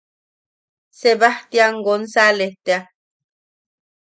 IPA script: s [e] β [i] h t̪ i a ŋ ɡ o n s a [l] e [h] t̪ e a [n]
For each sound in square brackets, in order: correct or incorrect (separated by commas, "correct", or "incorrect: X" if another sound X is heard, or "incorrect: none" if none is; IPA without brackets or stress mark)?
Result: correct, incorrect: a, correct, correct, incorrect: none